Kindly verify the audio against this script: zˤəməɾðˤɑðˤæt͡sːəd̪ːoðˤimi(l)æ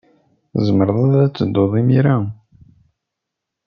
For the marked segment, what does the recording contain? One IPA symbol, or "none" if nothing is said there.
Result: ɾ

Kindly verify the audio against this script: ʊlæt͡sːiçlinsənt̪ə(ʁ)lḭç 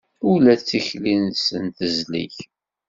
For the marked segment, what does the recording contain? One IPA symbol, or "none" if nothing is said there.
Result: z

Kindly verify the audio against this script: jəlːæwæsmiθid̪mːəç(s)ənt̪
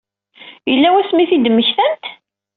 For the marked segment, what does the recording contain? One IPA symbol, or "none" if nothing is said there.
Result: θ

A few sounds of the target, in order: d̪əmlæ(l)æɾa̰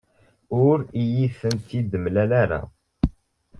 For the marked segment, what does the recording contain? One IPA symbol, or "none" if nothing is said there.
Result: l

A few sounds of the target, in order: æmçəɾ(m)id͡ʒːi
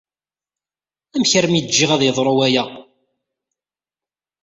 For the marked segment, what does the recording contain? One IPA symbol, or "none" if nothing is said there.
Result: m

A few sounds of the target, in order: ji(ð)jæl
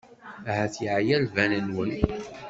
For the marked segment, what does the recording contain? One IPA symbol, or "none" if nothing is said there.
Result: ʕ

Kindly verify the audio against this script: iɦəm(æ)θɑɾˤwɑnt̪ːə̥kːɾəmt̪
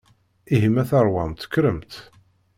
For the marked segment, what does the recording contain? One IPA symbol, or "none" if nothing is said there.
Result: æ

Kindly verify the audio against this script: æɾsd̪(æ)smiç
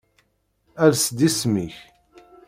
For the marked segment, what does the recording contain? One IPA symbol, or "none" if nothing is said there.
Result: i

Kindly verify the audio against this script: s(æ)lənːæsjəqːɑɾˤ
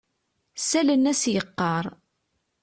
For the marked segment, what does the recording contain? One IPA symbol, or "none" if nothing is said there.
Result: æ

